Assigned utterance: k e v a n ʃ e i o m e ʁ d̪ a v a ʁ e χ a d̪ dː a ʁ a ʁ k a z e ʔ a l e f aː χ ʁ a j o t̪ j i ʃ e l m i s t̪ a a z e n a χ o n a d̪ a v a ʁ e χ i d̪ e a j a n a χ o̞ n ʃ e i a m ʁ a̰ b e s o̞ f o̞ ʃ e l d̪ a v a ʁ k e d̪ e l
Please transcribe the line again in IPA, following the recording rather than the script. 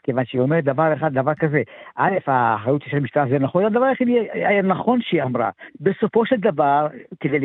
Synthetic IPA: k e v a n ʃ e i o m e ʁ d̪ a v a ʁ e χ a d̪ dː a v a ʁ k a z e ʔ a l e f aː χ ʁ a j u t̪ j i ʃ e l m i ʃ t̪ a a z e n a χ o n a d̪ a v a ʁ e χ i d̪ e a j a n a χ o̞ n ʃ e i a m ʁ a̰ b e s o̞ f o̞ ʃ e l d̪ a v a ʁ k e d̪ e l